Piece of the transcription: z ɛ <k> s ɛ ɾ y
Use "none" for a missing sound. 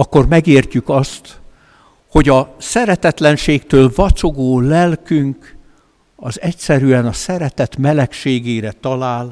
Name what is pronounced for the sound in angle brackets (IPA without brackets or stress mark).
c